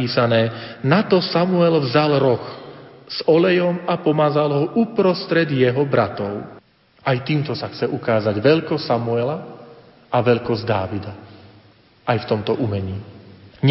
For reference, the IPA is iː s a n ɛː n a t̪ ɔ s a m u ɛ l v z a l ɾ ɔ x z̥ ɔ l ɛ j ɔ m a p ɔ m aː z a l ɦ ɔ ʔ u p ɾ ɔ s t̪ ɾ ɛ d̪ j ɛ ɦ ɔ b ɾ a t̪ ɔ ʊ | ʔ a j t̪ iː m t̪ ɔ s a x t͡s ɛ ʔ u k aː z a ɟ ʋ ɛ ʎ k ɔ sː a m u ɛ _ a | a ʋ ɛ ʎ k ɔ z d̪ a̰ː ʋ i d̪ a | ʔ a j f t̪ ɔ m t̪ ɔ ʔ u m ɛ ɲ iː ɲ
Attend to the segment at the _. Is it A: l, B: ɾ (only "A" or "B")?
A